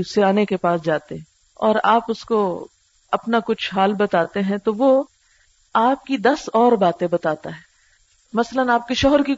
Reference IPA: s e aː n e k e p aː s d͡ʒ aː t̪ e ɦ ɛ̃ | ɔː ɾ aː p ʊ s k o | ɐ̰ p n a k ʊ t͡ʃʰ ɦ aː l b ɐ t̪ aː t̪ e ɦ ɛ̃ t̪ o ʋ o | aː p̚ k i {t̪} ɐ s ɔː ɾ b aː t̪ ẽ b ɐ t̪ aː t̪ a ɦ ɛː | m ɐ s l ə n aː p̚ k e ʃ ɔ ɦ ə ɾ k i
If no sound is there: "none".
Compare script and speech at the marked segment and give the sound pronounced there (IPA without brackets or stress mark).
d̪